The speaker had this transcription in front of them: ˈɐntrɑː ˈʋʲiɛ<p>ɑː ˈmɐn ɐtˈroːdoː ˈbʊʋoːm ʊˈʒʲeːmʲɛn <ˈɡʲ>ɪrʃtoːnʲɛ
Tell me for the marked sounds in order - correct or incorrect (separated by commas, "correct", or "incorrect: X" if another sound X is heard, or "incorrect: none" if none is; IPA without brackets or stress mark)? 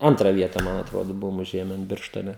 incorrect: t, incorrect: bʲ